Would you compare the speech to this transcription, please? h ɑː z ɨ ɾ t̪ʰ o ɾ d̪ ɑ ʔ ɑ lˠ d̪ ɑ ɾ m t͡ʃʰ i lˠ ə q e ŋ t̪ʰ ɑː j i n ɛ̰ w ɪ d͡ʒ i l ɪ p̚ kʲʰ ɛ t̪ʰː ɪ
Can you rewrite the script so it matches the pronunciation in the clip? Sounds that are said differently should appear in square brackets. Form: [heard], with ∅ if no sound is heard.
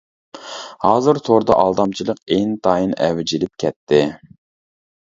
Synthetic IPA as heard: h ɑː z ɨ ɾ t̪ʰ o ɾ d̪ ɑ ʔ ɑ lˠ d̪ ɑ [∅] m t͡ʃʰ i lˠ ə q e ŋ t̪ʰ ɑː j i n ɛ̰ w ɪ d͡ʒ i l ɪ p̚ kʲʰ ɛ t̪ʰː ɪ